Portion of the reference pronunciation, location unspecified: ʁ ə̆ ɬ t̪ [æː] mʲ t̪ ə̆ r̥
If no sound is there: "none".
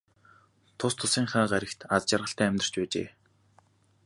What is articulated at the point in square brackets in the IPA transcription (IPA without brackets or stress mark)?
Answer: æː